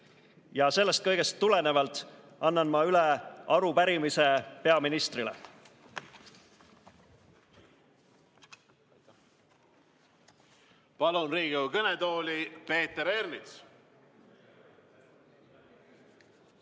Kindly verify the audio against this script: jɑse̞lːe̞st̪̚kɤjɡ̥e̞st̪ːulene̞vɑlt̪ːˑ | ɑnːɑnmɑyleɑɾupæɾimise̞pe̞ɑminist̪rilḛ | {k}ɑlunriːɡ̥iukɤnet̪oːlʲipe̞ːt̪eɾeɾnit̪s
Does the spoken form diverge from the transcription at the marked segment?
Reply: yes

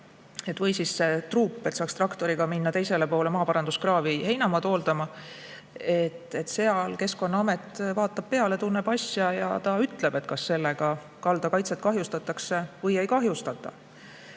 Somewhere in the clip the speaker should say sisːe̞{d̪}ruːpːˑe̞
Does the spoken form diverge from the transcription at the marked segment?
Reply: yes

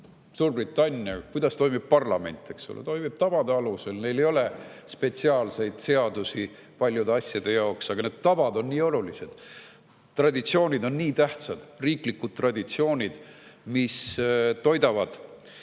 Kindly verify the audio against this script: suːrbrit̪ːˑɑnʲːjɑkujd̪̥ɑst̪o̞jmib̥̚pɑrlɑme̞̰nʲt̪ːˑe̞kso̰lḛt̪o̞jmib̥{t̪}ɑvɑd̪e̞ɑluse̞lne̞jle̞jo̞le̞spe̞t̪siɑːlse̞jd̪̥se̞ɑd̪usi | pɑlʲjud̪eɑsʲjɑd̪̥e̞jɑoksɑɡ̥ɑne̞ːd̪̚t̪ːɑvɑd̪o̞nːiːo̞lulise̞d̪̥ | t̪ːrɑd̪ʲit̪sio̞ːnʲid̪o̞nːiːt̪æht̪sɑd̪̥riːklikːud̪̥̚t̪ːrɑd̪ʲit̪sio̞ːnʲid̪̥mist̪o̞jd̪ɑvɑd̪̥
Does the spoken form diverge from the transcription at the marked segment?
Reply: no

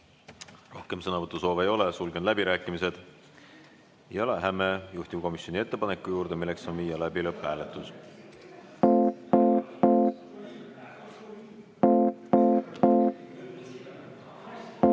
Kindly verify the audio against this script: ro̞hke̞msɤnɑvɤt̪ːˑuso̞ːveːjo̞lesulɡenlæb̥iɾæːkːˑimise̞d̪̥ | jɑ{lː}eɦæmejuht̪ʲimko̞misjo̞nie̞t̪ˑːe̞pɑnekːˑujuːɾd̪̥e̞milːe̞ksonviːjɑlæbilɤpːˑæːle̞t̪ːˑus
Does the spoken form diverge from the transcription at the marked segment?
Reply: yes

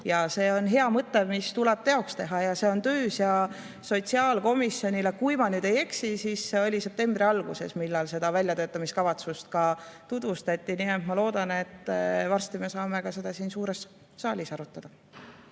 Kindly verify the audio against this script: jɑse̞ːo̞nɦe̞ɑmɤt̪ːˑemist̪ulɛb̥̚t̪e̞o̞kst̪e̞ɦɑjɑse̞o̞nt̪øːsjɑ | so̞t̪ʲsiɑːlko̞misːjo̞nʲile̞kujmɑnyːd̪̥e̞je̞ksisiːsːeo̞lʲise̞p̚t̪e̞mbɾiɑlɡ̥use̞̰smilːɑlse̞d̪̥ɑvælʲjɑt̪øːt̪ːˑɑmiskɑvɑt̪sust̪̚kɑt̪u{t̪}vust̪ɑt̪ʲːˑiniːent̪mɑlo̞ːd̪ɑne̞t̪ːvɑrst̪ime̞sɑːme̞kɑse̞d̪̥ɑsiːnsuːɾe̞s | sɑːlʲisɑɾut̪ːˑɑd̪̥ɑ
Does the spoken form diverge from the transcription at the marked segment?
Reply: yes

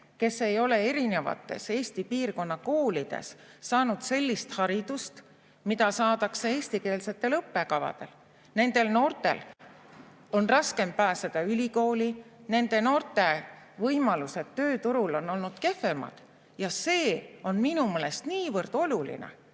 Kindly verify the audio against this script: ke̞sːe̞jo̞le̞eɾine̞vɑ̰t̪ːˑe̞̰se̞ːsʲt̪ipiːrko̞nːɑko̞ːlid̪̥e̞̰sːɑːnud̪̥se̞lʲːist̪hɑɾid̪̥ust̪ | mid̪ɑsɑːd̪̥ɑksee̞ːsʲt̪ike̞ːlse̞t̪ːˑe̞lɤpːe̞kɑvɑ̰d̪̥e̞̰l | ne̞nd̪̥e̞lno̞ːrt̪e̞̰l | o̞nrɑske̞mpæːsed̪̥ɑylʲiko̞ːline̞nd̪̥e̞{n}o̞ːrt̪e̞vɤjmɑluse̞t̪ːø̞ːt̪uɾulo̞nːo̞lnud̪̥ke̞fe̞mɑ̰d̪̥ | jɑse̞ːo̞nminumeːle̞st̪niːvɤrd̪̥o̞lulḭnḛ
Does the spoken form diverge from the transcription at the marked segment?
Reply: no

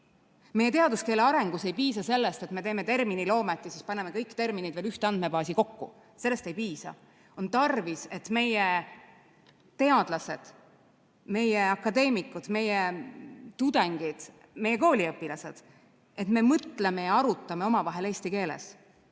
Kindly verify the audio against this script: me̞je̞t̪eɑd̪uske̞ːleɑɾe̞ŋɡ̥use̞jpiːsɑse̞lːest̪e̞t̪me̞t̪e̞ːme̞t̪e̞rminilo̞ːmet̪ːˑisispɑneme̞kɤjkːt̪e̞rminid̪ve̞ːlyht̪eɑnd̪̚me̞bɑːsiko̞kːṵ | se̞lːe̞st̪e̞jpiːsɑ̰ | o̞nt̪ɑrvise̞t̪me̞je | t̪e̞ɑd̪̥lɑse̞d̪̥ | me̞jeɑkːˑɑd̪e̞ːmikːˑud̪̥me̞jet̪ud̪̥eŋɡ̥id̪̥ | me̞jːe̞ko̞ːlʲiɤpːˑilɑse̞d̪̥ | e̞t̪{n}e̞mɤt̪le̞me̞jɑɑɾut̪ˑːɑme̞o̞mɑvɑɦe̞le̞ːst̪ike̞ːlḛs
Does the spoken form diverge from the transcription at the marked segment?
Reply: yes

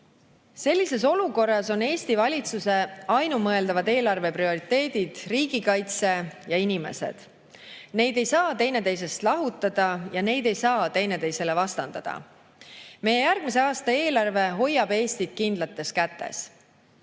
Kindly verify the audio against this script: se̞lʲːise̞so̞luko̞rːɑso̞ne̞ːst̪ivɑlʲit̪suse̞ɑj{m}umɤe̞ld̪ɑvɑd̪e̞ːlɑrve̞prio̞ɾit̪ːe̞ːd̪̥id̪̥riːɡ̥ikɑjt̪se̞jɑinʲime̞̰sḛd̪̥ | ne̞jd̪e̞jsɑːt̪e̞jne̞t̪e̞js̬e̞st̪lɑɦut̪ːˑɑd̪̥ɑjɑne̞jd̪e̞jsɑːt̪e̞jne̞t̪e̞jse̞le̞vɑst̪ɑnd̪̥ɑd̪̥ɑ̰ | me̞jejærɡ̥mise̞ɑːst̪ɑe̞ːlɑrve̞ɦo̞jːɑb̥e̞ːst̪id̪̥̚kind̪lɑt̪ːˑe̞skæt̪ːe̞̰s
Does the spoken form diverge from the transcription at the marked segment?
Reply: yes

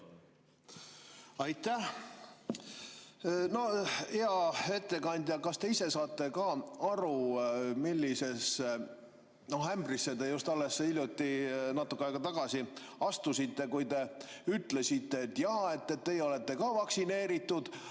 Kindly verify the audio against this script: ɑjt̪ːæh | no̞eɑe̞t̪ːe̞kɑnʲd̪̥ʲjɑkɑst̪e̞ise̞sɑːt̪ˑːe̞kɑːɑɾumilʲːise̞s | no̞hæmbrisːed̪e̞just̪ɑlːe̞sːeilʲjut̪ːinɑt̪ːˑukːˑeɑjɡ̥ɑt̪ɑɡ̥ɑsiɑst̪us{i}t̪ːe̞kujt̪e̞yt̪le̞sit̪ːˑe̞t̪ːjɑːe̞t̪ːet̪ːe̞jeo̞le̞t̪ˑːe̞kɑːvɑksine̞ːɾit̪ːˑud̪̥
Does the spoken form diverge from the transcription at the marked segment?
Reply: no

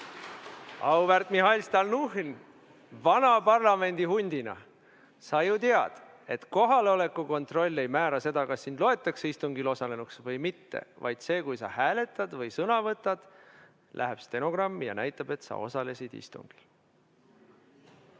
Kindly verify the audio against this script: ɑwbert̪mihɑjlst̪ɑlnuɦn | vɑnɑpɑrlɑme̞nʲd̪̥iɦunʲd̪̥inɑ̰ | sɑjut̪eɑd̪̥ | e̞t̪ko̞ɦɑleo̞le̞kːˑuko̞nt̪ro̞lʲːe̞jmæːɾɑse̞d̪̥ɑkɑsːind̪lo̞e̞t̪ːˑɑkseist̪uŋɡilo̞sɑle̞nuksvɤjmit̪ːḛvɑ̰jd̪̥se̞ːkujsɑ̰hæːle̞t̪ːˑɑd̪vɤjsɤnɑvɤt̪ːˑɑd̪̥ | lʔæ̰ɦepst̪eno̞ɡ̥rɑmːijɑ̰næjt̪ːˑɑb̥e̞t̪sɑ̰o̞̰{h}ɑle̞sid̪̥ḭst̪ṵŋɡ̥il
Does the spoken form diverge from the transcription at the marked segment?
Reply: yes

